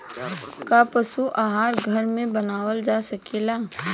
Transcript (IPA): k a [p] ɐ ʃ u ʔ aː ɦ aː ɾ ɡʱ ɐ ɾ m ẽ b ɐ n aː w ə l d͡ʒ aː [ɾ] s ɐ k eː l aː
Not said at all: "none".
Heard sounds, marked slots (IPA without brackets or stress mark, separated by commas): p, none